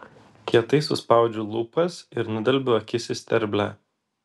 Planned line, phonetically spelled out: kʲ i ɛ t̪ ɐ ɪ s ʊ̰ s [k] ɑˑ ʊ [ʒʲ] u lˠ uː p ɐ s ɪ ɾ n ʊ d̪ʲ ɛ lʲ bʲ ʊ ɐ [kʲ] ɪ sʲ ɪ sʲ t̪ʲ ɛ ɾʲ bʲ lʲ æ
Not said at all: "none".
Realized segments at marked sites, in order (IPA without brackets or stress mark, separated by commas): p, d͡ʒʲ, kʲ